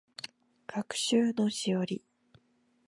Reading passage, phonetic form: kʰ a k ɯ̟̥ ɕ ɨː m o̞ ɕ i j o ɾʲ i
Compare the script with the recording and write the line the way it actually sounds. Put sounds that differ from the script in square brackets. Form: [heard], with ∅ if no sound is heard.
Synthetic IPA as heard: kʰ a k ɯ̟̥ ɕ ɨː [n] o̞ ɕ i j o ɾʲ i